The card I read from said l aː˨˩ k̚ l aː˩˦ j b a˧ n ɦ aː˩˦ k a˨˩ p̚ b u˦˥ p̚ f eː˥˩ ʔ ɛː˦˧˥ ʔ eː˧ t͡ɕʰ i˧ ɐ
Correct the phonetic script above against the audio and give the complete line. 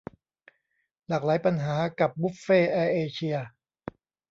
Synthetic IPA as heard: l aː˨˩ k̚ l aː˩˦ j p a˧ n ɦ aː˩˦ k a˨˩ p̚ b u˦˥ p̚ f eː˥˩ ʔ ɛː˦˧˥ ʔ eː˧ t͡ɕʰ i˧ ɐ